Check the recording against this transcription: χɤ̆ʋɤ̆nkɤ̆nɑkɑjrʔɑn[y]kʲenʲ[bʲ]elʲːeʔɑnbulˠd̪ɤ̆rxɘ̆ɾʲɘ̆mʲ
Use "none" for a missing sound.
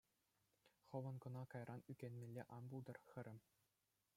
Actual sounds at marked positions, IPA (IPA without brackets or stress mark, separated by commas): y, mʲ